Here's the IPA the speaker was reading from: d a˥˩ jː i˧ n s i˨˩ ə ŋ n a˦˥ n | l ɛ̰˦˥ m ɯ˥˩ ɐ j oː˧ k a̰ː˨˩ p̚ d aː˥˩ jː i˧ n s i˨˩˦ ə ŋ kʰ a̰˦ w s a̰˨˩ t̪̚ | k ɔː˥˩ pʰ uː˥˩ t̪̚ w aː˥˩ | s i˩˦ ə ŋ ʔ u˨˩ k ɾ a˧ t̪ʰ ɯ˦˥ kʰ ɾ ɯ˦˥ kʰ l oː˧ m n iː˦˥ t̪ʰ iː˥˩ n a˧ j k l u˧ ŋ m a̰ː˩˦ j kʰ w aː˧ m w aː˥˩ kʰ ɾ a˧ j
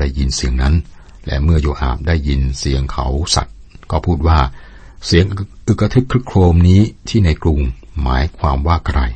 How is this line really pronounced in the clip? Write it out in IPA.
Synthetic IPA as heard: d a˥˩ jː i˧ n s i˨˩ ə ŋ n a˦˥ n | l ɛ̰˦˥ m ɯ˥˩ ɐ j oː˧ ʔ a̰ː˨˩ p̚ d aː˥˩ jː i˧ n s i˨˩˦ ə ŋ kʰ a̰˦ w s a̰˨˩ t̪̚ | k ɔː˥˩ pʰ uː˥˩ t̪̚ w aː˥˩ | s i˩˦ ə ŋ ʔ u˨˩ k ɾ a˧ t̪ʰ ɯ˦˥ kʰ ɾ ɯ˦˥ kʰ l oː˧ m n iː˦˥ t̪ʰ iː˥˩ n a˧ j k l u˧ ŋ m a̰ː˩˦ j kʰ w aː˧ m w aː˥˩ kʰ ɾ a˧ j